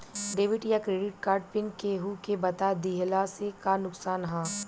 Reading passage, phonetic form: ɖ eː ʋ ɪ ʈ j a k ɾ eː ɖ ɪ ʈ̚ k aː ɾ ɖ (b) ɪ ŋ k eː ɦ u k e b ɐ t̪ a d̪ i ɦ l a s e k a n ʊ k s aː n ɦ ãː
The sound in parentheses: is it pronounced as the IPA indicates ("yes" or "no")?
no